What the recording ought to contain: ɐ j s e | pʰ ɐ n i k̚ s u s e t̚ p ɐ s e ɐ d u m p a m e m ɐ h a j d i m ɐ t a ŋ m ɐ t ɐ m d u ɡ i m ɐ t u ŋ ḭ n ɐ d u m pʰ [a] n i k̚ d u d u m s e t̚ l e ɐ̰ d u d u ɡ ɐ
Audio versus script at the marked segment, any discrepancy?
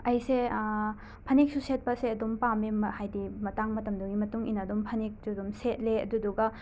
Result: yes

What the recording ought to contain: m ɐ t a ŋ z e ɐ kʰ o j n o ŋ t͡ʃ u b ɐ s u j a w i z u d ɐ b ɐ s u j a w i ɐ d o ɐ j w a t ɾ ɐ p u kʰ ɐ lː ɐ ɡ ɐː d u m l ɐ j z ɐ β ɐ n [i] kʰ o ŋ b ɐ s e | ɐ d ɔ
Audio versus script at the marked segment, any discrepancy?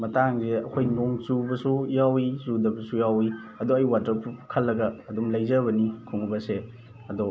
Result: no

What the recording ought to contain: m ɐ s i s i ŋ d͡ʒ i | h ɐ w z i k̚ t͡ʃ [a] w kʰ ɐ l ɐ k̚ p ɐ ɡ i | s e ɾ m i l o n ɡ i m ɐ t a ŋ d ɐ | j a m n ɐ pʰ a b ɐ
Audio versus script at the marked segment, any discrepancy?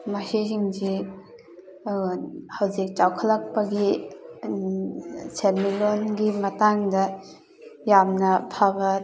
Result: no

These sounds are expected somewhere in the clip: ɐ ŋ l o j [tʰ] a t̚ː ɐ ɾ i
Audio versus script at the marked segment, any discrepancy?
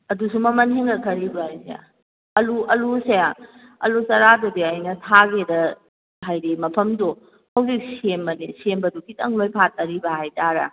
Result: yes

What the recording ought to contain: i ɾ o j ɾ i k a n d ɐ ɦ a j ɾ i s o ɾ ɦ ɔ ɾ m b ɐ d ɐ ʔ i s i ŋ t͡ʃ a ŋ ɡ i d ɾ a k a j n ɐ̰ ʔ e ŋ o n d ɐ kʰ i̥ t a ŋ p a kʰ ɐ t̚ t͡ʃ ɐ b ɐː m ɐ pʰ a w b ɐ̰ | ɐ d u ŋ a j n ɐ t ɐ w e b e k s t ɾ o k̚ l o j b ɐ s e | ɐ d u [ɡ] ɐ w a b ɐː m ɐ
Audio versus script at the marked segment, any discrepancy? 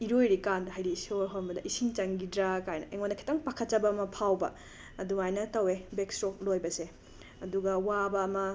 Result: no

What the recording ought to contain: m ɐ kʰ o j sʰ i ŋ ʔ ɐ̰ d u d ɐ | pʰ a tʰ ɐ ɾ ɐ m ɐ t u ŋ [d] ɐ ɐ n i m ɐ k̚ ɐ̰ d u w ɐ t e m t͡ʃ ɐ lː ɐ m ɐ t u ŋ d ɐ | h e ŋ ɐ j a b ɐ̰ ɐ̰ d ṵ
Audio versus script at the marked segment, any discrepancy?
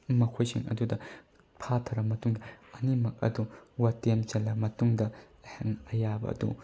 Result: no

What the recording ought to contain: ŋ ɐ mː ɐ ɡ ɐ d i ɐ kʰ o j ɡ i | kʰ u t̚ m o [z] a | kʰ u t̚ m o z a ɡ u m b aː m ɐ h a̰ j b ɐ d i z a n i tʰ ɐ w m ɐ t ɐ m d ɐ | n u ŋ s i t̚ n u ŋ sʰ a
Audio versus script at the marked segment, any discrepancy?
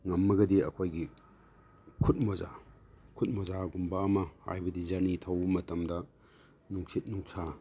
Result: no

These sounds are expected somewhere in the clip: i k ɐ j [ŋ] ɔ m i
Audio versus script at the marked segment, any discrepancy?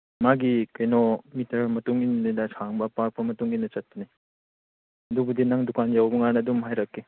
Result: yes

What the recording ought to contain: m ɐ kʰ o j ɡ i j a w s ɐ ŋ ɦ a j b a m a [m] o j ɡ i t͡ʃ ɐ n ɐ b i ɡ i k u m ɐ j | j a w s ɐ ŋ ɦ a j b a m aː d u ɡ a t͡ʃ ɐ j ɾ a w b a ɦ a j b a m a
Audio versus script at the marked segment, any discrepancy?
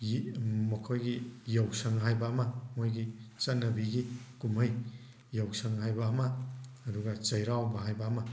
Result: no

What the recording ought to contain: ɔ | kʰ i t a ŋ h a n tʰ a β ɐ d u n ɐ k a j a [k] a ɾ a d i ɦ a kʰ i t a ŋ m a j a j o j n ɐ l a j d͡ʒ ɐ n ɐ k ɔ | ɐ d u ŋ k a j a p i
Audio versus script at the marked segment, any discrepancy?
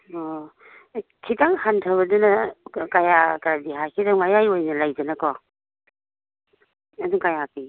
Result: no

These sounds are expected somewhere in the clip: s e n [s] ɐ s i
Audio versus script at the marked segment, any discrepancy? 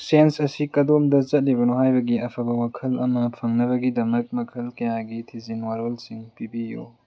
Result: no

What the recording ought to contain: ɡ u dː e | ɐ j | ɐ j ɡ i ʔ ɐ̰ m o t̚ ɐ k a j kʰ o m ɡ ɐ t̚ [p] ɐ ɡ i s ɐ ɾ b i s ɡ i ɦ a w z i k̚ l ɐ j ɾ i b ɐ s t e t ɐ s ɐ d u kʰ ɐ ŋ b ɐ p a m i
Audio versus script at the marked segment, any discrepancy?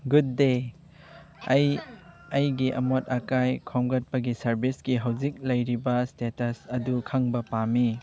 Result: no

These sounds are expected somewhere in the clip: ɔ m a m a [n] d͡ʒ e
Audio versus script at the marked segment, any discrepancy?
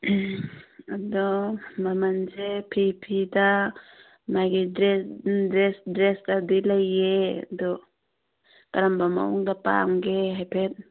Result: no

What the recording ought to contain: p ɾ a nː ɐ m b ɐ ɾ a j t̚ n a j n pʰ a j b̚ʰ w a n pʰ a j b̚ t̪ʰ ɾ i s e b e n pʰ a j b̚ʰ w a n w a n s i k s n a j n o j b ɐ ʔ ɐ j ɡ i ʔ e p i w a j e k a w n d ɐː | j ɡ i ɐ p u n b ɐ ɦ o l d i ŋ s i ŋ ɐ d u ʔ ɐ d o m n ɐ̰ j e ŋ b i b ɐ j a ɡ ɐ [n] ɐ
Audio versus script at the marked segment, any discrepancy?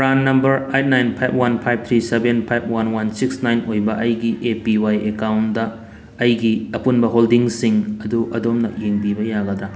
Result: yes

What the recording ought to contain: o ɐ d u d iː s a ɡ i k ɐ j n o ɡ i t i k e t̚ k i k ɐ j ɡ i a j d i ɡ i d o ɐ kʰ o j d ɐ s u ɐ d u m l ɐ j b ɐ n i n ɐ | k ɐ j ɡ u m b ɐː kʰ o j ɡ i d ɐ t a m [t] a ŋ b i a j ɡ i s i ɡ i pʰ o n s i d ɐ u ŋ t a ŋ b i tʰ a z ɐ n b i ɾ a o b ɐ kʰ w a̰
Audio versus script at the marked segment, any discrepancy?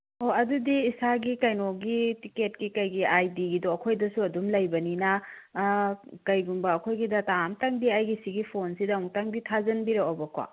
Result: no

